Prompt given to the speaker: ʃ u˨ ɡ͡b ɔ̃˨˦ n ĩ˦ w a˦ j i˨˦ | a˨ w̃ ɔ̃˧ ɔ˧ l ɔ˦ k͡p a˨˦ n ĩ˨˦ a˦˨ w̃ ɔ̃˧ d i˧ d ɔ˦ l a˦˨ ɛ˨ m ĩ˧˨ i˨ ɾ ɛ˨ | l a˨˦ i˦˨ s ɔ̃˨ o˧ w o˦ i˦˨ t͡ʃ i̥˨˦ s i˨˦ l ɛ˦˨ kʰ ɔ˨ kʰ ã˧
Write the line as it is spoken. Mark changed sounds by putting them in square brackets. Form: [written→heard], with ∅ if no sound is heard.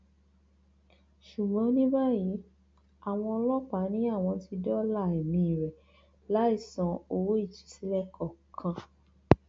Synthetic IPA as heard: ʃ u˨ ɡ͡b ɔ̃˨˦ n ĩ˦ [w→b] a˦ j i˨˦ | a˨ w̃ ɔ̃˧ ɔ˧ l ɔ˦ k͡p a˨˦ n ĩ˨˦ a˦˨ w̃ ɔ̃˧ [d→t] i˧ d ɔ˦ l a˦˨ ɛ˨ m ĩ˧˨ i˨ ɾ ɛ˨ | l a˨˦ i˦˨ s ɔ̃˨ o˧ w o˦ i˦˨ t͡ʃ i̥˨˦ s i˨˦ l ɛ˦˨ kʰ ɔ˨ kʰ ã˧